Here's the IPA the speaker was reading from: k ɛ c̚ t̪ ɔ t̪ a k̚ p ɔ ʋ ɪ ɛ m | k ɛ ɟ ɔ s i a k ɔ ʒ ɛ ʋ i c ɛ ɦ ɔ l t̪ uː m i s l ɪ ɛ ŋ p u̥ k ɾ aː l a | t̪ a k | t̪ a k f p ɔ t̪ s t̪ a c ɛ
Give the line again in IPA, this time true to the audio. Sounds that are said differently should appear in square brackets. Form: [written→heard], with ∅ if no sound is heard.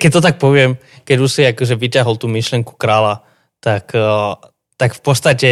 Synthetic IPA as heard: k ɛ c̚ t̪ ɔ t̪ a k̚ p ɔ ʋ ɪ ɛ m | k ɛ ɟ [ɔ→u] s i a k ɔ ʒ ɛ ʋ i c [ɛ→a] ɦ ɔ l t̪ uː m i [s→ʃ] l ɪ ɛ ŋ [p→k] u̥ k ɾ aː l a | t̪ a k | t̪ a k f p ɔ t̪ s t̪ a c ɛ